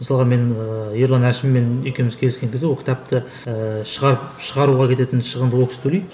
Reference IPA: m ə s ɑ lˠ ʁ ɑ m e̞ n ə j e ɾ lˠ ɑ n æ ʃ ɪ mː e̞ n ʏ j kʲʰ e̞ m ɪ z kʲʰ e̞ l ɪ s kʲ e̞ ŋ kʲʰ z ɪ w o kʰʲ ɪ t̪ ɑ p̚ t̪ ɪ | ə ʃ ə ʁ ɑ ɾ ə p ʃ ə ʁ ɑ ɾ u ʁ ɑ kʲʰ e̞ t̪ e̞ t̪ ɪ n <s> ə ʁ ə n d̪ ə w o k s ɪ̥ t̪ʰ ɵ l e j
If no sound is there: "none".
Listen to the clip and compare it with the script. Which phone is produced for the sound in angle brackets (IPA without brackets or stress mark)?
ʃ